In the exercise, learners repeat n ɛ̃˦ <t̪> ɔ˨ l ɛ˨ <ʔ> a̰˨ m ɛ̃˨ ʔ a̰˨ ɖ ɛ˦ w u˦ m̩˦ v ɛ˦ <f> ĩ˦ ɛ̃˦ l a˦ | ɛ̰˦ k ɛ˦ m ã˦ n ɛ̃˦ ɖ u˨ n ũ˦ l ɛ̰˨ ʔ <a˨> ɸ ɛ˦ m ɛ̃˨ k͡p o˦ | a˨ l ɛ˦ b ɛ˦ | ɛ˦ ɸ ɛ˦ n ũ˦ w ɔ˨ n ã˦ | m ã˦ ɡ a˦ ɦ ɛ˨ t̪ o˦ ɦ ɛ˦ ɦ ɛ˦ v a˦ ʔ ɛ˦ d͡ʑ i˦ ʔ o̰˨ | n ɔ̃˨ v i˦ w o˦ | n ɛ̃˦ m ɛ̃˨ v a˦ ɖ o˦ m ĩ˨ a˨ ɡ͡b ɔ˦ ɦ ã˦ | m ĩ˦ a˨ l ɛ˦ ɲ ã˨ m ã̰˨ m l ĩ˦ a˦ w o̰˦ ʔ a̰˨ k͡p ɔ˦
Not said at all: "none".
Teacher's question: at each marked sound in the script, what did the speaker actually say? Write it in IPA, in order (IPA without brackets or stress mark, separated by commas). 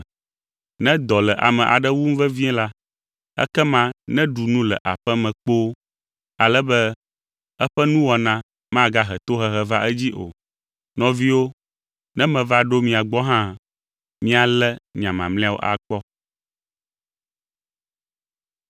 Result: d̪, ʔ, v, a˨